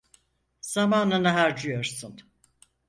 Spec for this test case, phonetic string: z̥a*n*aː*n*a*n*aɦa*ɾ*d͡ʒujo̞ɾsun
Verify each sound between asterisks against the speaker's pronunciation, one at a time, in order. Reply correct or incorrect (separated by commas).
incorrect, correct, correct, correct